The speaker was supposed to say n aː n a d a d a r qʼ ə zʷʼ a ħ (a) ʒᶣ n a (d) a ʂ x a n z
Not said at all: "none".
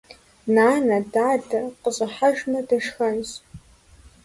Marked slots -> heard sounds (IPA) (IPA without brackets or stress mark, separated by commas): a, d